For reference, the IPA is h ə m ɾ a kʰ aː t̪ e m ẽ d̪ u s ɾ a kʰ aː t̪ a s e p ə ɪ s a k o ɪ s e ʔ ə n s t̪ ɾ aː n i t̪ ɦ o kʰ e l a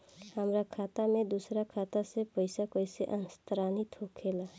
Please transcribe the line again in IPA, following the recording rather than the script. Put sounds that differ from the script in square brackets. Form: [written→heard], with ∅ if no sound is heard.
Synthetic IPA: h ə m ɾ a kʰ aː t̪ [e→a] m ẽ d̪ u s ɾ a kʰ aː t̪ a s e p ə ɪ s a k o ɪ s e ʔ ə n s t̪ ɾ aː n i t̪ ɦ o kʰ e l a

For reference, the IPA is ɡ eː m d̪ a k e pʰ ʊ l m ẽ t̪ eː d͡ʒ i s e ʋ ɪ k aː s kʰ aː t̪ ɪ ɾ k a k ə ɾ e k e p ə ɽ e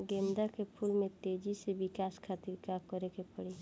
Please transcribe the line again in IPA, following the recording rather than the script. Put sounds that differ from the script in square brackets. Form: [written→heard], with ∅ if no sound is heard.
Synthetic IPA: ɡ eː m d̪ a k e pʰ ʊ l m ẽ t̪ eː d͡ʒ i s e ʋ ɪ k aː s kʰ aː t̪ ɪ ɾ k a k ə ɾ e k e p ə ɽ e

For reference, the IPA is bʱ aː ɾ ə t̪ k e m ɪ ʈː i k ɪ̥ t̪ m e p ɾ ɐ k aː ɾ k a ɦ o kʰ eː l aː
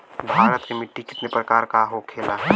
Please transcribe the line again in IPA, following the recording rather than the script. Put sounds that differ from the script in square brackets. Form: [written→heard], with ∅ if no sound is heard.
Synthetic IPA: bʱ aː ɾ ə t̪ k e m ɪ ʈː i k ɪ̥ t̪ [m→n] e p ɾ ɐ k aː ɾ k a ɦ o kʰ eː l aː

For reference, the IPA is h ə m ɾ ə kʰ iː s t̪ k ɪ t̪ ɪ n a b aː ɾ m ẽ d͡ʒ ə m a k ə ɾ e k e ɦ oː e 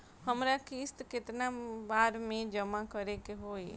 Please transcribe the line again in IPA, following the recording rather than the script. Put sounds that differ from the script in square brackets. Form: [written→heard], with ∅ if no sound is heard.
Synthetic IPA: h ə m ɾ [ə→a] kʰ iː s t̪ k ɪ t̪ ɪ n a b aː ɾ m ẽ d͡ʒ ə m a k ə ɾ e k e ɦ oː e

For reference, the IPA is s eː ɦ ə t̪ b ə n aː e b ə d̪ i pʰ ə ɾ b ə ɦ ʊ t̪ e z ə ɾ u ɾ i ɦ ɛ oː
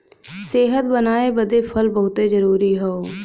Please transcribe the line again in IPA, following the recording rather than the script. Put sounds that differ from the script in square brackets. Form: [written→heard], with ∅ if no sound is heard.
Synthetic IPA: s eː ɦ ə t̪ b ə n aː e b ə d̪ [i→e] pʰ ə [ɾ→l] b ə ɦ ʊ t̪ e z ə ɾ [u→uː] ɾ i ɦ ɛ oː

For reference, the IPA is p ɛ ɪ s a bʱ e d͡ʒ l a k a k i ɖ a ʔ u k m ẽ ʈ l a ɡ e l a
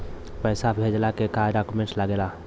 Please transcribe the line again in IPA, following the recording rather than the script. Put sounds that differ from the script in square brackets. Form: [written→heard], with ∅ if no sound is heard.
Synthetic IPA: p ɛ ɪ s a bʱ e d͡ʒ l a k [a→e] k [i→a] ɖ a [ʔ→k] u [k→∅] m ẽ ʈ l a ɡ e l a

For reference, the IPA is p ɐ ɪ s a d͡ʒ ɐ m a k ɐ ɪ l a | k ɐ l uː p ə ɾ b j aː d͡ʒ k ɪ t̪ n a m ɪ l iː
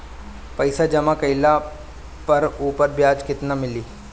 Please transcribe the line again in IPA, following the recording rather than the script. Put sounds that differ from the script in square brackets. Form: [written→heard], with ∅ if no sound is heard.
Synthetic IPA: p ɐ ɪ s a d͡ʒ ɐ m a k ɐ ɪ l a | [k→p] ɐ [l→ɾ] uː p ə ɾ b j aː d͡ʒ k ɪ t̪ n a m ɪ l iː

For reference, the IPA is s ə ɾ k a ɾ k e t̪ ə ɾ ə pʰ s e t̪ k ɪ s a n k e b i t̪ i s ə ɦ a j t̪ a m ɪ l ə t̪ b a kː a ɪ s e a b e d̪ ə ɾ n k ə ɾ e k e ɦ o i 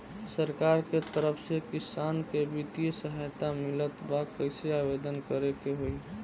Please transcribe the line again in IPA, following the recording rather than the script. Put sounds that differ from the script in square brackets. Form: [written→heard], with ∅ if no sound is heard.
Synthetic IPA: s ə ɾ k a ɾ k e t̪ ə ɾ ə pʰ s e [t̪→∅] k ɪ s a n k e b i t̪ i s ə ɦ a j t̪ a m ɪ l ə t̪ b a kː [a→ə] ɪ s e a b e d̪ ə [ɾ→∅] n k ə ɾ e k e ɦ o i

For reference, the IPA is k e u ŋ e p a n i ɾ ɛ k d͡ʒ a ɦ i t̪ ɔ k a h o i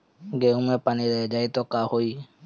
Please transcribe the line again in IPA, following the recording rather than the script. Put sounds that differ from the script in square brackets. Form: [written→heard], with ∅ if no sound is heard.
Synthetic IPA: [k→ɡ] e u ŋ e p a n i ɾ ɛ [k→∅] d͡ʒ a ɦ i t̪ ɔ k a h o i

